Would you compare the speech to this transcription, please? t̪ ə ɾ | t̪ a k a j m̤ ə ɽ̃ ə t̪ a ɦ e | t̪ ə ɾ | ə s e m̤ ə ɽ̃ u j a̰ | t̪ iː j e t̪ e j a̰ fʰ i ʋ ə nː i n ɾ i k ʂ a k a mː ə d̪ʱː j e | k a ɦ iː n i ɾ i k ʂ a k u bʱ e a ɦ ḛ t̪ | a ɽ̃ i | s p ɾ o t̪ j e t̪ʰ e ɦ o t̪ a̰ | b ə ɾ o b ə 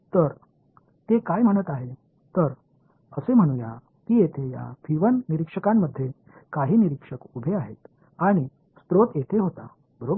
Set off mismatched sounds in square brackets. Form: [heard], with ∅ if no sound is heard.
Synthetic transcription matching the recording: t̪ ə ɾ | t̪ [e] k a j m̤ ə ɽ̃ ə t̪ a ɦ e | t̪ ə ɾ | ə s e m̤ ə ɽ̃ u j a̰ | t̪ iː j e [t̪ʰ] e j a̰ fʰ i ʋ ə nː i [∅] ɾ i k ʂ [ə] k a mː ə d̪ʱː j e | k a ɦ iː n i ɾ i k ʂ [ə] k u bʱ e a ɦ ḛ t̪ | a ɽ̃ i | s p ɾ o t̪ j e t̪ʰ e ɦ o t̪ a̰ | b ə ɾ o b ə